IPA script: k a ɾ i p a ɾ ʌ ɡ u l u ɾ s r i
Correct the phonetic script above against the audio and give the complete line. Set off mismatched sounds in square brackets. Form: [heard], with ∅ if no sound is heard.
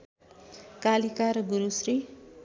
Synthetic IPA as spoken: k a [l] i [k] a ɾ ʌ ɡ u [ɾ] u [∅] s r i